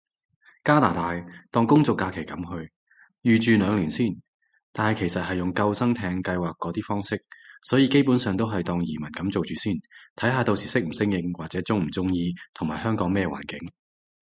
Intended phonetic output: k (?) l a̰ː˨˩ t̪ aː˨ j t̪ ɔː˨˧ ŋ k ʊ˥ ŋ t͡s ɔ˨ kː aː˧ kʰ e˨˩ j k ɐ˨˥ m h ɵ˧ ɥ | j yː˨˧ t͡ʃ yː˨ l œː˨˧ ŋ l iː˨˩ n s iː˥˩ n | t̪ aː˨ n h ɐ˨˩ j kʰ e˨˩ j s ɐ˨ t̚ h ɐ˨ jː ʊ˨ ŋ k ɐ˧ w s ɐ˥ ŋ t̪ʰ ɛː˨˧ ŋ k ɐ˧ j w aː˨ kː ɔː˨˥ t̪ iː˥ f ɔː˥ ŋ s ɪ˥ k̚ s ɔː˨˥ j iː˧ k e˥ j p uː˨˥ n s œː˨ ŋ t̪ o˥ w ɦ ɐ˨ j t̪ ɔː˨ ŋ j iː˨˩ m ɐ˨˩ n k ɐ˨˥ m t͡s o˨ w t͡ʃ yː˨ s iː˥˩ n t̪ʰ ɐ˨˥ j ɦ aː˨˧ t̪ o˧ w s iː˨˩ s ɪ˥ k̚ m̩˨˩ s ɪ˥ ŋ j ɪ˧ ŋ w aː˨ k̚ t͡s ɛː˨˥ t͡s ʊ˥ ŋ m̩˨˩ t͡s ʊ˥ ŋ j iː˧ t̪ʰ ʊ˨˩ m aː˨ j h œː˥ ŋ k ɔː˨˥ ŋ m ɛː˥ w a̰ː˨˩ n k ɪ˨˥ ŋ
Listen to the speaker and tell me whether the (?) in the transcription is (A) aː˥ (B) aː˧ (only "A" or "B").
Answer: A